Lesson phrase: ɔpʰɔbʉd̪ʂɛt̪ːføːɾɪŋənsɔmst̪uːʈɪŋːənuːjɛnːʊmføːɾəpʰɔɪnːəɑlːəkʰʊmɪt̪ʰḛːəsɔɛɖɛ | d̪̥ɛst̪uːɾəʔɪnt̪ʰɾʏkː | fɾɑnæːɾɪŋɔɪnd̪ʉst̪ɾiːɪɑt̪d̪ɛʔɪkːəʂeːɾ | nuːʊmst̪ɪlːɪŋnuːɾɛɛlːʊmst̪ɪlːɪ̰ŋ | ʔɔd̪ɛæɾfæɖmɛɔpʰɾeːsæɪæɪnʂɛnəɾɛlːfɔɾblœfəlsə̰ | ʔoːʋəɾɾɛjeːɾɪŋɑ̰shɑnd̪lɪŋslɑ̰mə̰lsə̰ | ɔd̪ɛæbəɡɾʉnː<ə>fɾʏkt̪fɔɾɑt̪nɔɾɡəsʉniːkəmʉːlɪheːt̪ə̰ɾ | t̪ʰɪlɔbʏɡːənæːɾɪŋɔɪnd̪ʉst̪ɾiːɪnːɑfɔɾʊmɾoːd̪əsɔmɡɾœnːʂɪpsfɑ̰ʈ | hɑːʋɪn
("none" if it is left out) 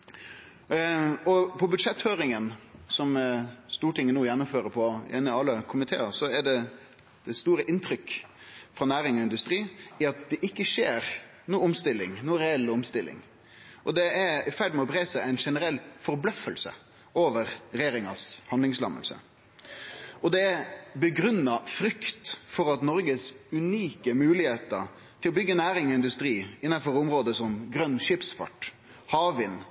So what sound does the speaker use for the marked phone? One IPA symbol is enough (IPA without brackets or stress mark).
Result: ɑ